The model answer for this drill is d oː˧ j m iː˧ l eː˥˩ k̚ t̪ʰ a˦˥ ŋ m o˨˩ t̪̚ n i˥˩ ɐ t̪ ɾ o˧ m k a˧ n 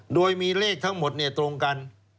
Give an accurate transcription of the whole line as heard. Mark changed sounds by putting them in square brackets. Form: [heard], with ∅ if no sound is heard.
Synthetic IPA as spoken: d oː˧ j m iː˧ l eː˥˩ k̚ t̪ʰ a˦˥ ŋ m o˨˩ t̪̚ n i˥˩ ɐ t̪ ɾ o˧ [ŋ] k a˧ n